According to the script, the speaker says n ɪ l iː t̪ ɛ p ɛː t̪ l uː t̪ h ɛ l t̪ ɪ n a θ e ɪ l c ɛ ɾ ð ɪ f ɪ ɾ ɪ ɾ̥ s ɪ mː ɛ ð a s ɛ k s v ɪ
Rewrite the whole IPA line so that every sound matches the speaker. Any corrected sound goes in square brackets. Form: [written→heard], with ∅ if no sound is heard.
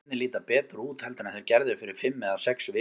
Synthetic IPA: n ɪ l iː t̪ [ɛ→a] p ɛː t̪ [l→ɾ] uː t̪ h ɛ l t̪ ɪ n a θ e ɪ [l→ɾ] c ɛ ɾ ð ɪ f ɪ ɾ ɪ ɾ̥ [s→f] ɪ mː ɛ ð a s ɛ k s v ɪ